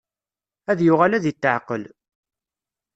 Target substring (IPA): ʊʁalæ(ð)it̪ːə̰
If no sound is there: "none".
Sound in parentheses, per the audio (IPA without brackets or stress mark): ð